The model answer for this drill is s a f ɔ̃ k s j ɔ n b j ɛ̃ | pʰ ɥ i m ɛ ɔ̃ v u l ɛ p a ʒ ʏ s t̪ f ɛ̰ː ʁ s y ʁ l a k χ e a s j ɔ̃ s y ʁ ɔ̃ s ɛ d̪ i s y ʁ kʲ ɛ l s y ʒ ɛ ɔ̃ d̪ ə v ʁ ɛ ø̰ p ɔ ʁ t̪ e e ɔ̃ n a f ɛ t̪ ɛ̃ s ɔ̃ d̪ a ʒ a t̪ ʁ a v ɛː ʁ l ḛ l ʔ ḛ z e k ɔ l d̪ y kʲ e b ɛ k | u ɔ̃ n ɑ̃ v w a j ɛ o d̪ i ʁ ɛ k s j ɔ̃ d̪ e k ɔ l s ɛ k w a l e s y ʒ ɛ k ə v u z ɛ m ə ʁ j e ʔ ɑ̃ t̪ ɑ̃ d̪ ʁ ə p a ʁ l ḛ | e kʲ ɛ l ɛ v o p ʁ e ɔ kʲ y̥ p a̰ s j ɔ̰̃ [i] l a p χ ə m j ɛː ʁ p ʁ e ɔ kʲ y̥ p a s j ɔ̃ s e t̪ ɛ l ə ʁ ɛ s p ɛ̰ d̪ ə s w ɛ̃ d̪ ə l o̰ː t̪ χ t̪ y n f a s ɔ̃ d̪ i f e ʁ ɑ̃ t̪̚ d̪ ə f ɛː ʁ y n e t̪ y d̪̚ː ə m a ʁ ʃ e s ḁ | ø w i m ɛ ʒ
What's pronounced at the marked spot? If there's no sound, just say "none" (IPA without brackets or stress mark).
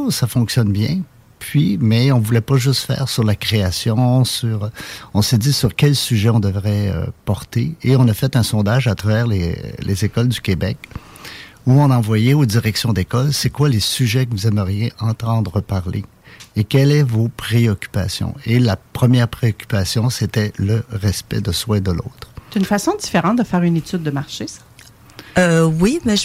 e